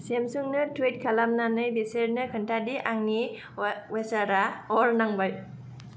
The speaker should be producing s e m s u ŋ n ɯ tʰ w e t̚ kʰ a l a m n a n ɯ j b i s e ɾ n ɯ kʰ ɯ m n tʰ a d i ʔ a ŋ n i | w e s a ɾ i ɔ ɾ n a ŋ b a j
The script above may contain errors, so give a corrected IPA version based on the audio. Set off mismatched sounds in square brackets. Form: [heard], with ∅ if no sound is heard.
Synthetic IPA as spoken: s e m s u ŋ n ɯ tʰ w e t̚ kʰ a l a m n a n ɯ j b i s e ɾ n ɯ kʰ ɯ [∅] n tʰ a d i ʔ a ŋ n i | w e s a ɾ [a] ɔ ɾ n a ŋ b a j